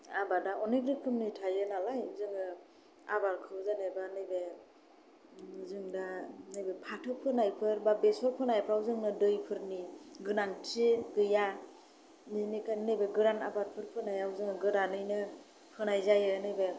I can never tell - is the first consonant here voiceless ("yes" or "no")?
no